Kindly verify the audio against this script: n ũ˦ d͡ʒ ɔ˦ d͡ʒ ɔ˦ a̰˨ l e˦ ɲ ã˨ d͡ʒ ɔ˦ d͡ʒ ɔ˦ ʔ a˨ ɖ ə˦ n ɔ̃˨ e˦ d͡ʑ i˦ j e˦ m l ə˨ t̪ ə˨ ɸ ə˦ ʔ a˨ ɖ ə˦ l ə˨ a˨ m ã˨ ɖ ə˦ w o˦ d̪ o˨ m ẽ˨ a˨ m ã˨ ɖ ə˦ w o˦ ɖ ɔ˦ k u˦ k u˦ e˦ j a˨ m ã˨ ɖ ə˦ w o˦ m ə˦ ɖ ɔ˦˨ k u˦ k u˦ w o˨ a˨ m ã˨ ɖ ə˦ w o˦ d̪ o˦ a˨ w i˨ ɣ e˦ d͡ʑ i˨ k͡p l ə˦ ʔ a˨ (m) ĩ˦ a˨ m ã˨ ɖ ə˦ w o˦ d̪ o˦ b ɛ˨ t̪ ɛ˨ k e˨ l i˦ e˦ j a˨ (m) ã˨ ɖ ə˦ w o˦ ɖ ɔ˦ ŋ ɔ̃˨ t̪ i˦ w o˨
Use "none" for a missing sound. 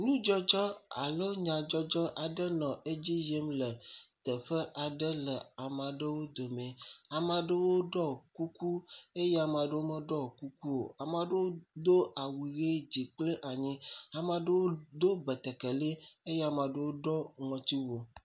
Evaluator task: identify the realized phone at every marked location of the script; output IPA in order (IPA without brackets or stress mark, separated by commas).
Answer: ɲ, m